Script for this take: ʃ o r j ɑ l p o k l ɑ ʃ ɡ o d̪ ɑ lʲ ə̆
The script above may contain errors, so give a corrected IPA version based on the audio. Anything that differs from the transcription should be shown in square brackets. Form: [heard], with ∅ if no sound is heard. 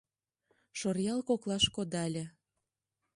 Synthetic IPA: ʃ o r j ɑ l [k] o k l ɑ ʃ [k] o d̪ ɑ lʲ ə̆

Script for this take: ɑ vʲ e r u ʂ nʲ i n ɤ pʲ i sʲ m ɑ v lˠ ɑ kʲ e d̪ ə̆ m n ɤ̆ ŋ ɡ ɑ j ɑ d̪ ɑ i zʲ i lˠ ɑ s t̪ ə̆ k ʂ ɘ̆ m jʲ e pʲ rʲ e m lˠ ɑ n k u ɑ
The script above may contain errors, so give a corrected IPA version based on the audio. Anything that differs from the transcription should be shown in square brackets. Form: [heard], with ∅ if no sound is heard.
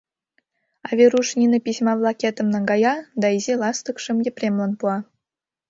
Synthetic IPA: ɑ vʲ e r u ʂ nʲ i n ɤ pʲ i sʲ m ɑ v lˠ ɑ kʲ e [t̪] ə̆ m n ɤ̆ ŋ ɡ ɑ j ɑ d̪ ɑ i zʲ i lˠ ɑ s t̪ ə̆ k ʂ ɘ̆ m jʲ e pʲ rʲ e m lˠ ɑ n [p] u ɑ

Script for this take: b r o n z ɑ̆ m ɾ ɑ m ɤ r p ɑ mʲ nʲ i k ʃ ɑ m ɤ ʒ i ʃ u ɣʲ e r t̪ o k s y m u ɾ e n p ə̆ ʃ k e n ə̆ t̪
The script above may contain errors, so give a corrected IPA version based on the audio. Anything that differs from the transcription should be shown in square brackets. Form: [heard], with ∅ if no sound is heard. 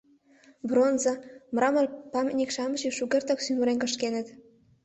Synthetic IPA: b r o n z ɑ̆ m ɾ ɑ m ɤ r p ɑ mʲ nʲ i k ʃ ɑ m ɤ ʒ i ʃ u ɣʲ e r t̪ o k s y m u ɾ e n [k] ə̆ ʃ k e n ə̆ t̪

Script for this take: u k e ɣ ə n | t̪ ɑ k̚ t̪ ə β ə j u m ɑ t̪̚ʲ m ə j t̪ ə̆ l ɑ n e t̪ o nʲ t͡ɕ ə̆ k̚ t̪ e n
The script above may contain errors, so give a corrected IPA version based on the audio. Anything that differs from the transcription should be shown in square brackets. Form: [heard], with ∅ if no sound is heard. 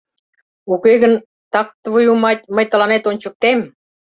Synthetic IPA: u k e ɣ ə n | t̪ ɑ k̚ t̪ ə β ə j u m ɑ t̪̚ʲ m ə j t̪ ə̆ l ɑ n e t̪ o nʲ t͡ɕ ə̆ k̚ t̪ e [m]

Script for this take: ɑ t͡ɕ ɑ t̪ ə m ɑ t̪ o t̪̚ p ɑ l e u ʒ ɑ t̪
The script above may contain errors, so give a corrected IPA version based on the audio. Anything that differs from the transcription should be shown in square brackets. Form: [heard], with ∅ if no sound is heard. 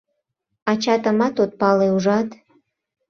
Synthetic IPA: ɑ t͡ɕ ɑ t̪ ə m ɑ t̪ o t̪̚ p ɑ l e u ʒ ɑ t̪

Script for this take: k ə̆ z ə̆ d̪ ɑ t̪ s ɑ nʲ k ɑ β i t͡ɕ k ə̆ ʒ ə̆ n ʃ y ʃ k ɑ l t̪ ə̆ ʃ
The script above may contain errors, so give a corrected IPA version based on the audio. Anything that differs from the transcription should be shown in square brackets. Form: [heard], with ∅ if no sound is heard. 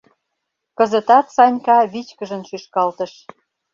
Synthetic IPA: k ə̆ z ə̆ [t̪] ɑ t̪ s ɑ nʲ k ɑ β i t͡ɕ k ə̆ ʒ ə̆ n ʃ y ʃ k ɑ l t̪ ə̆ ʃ

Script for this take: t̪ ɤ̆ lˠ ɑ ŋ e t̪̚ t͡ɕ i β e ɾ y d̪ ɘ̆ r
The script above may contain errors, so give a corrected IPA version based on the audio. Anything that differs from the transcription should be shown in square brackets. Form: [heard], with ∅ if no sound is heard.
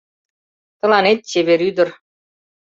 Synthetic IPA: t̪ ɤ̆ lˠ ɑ [n] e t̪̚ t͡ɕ [e] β e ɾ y d̪ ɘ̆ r

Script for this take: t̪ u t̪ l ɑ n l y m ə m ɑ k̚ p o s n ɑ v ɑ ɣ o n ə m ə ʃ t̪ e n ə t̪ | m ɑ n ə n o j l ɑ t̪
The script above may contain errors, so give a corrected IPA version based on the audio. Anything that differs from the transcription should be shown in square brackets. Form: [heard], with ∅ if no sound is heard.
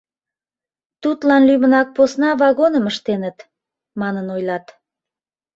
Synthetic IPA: t̪ u t̪ l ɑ n l y m ə [n] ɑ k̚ p o s n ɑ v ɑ ɣ o n ə m ə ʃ t̪ e n ə t̪ | m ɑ n ə n o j l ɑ t̪

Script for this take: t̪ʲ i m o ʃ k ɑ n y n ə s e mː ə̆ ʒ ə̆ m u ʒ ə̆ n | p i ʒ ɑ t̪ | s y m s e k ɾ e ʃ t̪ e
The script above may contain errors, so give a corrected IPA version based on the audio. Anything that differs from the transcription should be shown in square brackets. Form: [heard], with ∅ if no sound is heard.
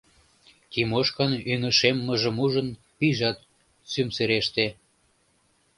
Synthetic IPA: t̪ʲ i m o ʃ k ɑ n y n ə [ʃ] e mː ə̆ ʒ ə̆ m u ʒ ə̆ n | p i ʒ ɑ t̪ | s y m s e [∅] ɾ e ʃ t̪ e

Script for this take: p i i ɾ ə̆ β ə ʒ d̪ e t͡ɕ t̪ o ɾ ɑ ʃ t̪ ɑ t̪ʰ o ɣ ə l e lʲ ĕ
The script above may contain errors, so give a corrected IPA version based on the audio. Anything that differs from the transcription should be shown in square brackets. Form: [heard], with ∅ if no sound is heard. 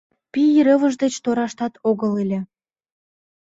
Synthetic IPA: p i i ɾ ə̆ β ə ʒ d̪ e t͡ɕ t̪ o ɾ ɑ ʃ t̪ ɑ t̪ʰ o ɣ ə l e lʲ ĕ

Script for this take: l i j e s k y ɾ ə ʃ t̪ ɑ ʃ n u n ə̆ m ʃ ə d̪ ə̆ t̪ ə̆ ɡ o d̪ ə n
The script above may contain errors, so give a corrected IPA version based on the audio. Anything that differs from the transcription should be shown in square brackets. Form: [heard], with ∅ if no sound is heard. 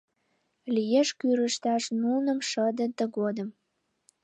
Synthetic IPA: l i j e [ʃ] k y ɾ ə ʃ t̪ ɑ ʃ n u n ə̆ m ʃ ə d̪ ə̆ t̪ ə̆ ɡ o d̪ ə [m]

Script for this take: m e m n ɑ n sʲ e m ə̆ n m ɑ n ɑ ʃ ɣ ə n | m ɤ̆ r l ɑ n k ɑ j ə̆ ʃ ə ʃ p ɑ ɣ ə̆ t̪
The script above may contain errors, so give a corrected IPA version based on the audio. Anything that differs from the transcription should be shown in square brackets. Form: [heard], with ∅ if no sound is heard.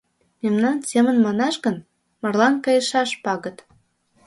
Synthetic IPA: m e m n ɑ n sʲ e m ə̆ n m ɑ n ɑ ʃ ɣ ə n | m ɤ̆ r l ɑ n k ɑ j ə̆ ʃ [ɑ] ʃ p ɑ ɣ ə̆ t̪

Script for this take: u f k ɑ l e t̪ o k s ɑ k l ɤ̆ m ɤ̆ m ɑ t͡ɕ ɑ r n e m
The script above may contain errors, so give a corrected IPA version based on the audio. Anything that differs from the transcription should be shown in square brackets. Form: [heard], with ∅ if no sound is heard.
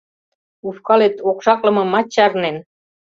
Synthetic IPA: u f k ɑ l e t̪ o k [ʃ] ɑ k l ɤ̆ m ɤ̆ m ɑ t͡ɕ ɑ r n e [n]

